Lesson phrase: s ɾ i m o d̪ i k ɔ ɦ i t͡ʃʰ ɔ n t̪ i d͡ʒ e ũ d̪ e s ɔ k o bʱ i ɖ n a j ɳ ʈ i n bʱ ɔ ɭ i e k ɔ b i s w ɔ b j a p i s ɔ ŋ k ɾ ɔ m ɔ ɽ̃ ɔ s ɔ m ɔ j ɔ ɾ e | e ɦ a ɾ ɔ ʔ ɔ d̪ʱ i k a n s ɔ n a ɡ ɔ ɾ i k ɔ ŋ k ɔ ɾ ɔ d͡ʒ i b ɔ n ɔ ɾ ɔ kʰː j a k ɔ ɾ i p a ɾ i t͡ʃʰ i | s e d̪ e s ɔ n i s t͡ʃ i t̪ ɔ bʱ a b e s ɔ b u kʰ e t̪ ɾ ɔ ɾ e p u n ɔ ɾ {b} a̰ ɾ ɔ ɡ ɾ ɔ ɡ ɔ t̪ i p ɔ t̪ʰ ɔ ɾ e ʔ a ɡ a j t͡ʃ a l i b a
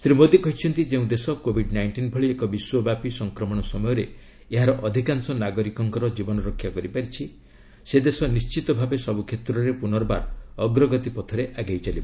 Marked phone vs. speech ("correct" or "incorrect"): correct